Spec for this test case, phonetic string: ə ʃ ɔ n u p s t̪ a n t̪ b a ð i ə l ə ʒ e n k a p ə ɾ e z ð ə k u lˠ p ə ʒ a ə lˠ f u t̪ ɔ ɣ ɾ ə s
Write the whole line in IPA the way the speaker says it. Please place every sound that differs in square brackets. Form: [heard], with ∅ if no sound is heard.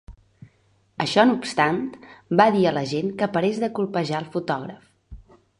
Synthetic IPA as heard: ə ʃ ɔ n u p s t̪ a n t̪ b a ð i ə l ə ʒ e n k [ə] p ə ɾ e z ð ə k u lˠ p ə ʒ a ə lˠ f u t̪ ɔ ɣ ɾ ə [f]